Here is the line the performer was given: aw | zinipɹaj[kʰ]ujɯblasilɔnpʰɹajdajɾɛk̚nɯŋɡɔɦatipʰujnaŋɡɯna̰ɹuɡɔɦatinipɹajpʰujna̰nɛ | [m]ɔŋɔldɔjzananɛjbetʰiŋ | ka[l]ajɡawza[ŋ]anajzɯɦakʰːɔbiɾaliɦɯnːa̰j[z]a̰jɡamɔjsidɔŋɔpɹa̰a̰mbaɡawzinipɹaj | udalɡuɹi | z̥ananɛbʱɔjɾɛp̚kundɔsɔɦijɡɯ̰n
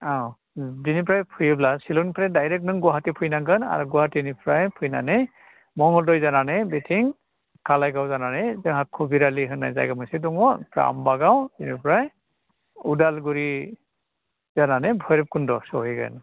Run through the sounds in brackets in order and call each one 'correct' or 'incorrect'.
incorrect: pʰ, correct, correct, incorrect: n, correct

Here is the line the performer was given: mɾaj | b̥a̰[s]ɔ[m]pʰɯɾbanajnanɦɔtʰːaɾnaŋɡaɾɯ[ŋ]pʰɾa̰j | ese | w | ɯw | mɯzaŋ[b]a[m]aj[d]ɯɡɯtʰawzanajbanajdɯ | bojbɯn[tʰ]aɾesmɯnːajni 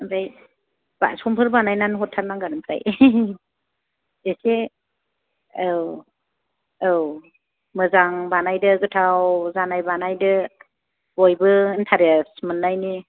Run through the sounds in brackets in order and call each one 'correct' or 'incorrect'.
correct, correct, incorrect: m, correct, incorrect: n, correct, correct

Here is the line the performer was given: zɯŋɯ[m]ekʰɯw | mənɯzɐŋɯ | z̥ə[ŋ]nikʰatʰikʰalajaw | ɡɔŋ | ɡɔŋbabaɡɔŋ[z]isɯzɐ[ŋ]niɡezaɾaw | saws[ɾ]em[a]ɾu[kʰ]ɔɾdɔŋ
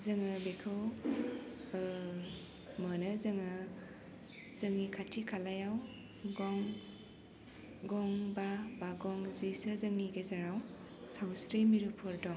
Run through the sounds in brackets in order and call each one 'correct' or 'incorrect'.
incorrect: b, correct, correct, correct, correct, incorrect: i, incorrect: pʰ

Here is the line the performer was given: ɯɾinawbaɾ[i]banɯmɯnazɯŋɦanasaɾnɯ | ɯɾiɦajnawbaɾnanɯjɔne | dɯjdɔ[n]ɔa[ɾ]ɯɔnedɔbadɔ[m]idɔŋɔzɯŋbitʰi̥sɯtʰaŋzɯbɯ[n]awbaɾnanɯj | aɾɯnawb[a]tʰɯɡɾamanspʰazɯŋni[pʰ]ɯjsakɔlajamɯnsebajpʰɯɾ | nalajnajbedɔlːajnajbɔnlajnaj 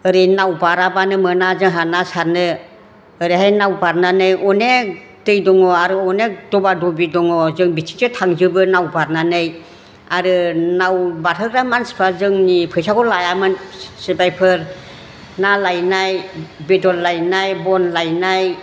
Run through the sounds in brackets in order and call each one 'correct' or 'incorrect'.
incorrect: a, incorrect: ŋ, correct, incorrect: b, correct, correct, correct

